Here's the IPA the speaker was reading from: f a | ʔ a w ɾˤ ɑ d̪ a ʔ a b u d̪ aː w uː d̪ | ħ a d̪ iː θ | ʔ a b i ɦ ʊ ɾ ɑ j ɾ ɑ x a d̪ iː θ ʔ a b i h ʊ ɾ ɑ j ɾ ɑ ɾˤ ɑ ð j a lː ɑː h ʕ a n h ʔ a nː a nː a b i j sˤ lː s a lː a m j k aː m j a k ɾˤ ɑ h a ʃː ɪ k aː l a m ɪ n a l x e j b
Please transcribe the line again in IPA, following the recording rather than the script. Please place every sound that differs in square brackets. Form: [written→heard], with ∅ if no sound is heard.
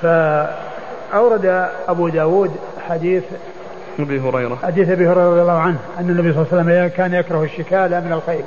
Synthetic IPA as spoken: f a | ʔ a w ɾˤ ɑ d̪ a ʔ a b u d̪ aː w uː d̪ | ħ a d̪ iː θ | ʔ a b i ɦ ʊ ɾ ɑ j ɾ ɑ [x→ħ] a d̪ iː θ ʔ a b i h ʊ ɾ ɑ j ɾ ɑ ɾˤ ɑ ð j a lː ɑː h ʕ a n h ʔ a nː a nː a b i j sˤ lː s a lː a m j k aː [m→n] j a k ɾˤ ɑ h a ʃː ɪ k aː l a m ɪ n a l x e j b